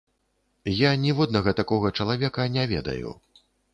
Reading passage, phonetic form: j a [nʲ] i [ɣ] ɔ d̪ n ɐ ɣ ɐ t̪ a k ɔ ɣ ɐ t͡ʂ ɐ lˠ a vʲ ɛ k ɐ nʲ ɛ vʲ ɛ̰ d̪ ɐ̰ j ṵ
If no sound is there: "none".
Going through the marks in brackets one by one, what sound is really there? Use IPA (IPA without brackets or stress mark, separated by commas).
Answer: nʲ, v